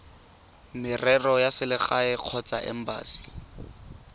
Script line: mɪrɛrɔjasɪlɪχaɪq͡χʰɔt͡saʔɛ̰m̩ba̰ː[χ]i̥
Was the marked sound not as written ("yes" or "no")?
yes